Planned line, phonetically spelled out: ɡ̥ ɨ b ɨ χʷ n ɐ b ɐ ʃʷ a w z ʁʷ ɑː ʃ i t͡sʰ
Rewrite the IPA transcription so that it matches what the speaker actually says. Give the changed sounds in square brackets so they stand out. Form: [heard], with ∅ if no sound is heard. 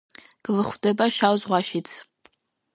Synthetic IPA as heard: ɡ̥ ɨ [v] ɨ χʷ [d] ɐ b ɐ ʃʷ a w z ʁʷ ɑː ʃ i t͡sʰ